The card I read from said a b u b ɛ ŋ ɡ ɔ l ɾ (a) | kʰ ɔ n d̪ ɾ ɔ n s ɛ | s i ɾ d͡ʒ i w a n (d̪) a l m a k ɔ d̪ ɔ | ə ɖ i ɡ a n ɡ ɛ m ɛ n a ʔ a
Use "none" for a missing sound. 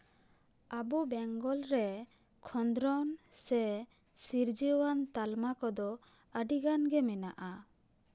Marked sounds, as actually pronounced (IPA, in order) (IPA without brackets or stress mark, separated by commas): ɛ, t̪